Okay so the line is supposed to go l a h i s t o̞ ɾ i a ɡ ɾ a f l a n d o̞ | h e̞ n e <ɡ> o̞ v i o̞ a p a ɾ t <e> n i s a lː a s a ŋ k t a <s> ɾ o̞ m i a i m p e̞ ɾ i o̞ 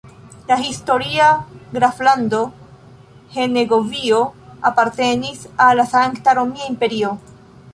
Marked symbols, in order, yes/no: yes, yes, no

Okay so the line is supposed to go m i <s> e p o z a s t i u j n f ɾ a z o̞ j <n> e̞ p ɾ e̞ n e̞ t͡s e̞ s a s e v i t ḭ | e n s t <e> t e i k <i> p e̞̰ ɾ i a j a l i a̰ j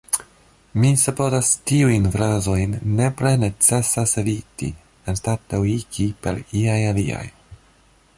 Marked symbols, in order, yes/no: yes, no, no, yes

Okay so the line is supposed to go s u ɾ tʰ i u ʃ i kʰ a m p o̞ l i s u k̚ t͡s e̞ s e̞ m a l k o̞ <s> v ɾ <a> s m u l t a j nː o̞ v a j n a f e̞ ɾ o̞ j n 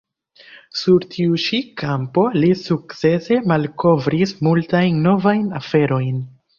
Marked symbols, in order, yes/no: no, no

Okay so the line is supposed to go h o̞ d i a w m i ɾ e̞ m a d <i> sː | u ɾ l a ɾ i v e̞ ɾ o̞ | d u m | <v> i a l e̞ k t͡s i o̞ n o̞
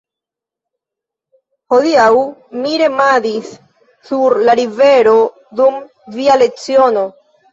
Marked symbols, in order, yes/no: yes, yes

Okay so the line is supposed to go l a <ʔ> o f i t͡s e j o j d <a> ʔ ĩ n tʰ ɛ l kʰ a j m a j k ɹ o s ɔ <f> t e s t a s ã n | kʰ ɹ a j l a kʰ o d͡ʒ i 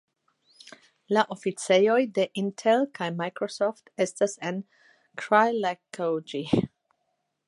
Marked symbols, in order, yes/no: yes, no, yes

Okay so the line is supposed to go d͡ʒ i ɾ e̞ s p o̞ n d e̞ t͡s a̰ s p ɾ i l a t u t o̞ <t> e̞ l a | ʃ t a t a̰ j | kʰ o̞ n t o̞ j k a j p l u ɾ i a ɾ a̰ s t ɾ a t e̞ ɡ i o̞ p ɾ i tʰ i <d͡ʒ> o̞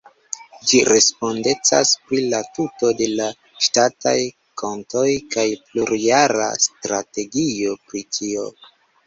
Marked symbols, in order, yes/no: no, no

